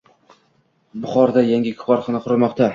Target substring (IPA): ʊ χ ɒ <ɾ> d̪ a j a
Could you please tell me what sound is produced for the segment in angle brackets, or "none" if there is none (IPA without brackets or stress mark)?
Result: ɾ